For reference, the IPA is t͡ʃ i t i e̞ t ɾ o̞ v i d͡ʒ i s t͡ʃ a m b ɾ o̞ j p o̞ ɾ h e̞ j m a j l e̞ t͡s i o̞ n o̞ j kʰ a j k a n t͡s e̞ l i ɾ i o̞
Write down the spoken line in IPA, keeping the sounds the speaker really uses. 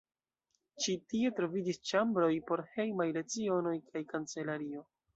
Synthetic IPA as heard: t͡ʃ i t i e̞ t ɾ o̞ v i d͡ʒ i s t͡ʃ a m b ɾ o̞ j p o̞ ɾ h e̞ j m a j l e̞ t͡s i o̞ n o̞ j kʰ a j k a n t͡s e̞ l a ɾ i o̞